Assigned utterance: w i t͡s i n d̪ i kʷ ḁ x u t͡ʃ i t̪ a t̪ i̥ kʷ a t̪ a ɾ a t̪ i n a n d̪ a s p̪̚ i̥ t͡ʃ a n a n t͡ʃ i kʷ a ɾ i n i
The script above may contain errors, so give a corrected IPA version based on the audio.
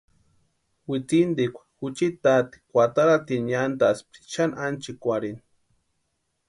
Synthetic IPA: w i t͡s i n d̪ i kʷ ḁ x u t͡ʃ i t̪ a t̪ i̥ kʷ a t̪ a ɾ a t̪ i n a n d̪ a s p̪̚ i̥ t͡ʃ a n a n t͡ʃ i kʷ a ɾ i n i